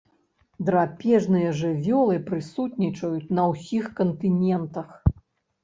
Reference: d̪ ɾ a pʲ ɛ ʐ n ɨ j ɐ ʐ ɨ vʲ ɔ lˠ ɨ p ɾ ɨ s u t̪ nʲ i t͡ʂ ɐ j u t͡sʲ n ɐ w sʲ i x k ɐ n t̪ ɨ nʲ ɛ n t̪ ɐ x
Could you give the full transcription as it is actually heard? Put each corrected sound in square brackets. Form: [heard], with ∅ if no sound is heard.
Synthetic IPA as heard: d̪ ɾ a pʲ ɛ ʐ n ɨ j ɐ ʐ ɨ vʲ ɔ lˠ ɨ p ɾ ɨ s u t̪ nʲ i t͡ʂ ɐ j u t͡sʲ n ɐ w sʲ i x k ɐ n t̪ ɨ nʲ ɛ n t̪ ɐ x

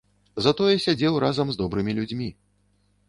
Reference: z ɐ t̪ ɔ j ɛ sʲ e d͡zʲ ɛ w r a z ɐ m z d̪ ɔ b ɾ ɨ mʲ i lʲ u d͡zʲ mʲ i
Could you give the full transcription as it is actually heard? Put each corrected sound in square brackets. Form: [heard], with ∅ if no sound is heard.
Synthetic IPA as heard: z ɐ t̪ ɔ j ɛ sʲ [a] d͡zʲ ɛ w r a z ɐ m z d̪ ɔ b ɾ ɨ mʲ i lʲ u d͡zʲ mʲ i

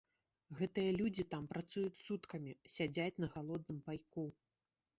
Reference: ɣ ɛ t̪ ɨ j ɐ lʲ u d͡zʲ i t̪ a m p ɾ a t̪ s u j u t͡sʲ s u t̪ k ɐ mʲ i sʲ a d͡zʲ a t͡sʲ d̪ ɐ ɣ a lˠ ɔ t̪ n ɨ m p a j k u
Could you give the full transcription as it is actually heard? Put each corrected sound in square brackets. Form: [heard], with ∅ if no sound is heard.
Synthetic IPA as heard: ɣ ɛ t̪ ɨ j ɐ lʲ u d͡zʲ i t̪ a m p ɾ a t̪ s u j u t͡sʲ s u t̪ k ɐ mʲ i sʲ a d͡zʲ a t͡sʲ [n̪] ɐ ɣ a lˠ ɔ [d̪] n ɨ m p a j k u

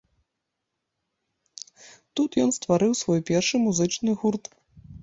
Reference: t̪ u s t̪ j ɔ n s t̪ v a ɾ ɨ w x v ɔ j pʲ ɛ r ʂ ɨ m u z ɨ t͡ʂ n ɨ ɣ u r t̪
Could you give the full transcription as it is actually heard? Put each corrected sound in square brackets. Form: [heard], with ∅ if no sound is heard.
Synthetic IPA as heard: t̪ u [∅] t̪ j ɔ n s t̪ v a ɾ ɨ w [s] v ɔ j pʲ ɛ r ʂ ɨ m u z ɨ t͡ʂ n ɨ ɣ u r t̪

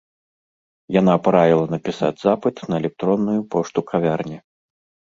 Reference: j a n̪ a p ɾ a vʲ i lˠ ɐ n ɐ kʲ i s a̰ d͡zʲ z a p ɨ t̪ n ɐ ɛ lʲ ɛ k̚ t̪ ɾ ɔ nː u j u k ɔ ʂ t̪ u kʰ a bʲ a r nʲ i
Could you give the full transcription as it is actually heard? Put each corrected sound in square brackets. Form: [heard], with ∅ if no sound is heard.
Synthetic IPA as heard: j a n̪ a p ɾ a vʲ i lˠ ɐ n ɐ [pʲ] i s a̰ d͡zʲ z a p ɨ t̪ n ɐ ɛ lʲ ɛ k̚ t̪ ɾ ɔ nː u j u [p] ɔ ʂ t̪ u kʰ a [vʲ] a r nʲ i

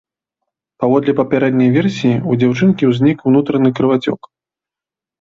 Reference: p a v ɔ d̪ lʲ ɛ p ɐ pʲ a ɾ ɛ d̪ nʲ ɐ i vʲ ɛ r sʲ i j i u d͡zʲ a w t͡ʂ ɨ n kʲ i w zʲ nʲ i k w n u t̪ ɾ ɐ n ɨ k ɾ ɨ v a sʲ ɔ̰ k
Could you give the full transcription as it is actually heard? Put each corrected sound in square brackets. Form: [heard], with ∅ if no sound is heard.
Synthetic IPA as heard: p a v ɔ d̪ lʲ ɛ p ɐ pʲ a ɾ ɛ d̪ nʲ ɐ [j] vʲ ɛ r sʲ i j i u d͡zʲ a w t͡ʂ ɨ n kʲ i w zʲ nʲ i k w n u t̪ ɾ ɐ n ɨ k ɾ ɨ v a [t͡sʲ] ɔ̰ k

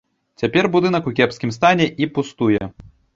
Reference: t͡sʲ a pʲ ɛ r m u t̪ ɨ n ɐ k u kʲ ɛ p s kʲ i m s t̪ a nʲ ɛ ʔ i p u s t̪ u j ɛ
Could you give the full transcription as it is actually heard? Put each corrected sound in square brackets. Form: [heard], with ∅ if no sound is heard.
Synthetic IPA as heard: t͡sʲ a pʲ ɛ r [b] u [d̪] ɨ n ɐ k u kʲ ɛ p s kʲ i m s t̪ a nʲ ɛ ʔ i p u s t̪ u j ɛ

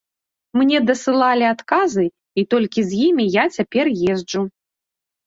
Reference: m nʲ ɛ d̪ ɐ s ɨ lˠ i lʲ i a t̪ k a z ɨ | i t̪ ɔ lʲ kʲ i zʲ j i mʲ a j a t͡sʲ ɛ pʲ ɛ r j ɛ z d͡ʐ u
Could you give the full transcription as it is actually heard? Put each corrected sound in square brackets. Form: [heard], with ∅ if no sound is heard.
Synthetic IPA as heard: m nʲ ɛ d̪ ɐ s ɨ lˠ [a] lʲ i a t̪ k a z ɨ | i t̪ ɔ lʲ kʲ i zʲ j i mʲ [i] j a t͡sʲ [a] pʲ ɛ r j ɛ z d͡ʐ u

